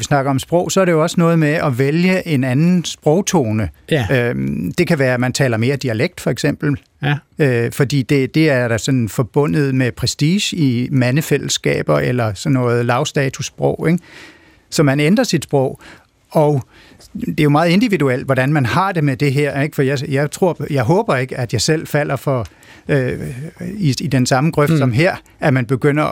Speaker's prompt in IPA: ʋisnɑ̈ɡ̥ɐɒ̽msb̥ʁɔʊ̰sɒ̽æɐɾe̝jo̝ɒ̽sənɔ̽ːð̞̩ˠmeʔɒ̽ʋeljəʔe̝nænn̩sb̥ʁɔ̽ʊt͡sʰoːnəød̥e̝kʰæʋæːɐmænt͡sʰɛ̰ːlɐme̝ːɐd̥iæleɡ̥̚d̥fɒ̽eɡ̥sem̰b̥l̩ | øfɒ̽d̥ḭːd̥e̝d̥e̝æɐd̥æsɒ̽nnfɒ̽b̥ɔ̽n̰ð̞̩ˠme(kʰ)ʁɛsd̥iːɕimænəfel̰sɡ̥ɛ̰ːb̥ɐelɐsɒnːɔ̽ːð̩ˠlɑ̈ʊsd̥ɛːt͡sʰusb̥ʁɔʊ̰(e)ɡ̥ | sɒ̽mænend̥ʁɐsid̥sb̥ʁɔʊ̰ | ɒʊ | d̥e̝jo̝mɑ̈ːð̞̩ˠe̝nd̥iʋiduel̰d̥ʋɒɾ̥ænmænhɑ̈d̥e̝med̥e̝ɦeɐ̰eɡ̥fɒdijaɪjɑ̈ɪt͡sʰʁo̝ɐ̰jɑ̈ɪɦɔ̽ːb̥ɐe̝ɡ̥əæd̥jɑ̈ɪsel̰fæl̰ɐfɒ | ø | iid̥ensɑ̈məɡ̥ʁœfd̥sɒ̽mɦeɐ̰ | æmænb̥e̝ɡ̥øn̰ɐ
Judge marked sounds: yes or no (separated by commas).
no, yes